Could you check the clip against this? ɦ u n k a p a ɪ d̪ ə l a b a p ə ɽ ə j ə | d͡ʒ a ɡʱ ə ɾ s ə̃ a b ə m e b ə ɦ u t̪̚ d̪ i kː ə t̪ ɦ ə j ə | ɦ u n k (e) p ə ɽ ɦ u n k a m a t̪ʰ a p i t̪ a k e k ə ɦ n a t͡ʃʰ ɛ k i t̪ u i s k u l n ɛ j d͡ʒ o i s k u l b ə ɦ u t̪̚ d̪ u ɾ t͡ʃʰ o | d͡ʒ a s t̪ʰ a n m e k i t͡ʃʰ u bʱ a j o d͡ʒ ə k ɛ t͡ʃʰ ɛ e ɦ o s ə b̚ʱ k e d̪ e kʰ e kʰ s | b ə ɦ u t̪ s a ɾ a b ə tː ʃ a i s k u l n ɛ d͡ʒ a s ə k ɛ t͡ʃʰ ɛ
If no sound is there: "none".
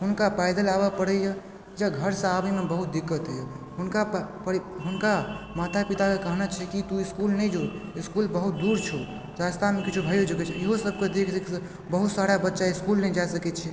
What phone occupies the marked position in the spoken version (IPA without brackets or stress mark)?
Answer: a